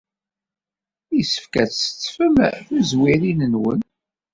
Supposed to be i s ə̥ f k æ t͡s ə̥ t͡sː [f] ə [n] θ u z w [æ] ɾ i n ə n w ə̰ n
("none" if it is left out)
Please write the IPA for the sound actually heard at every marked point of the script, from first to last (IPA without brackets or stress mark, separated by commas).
f, m, i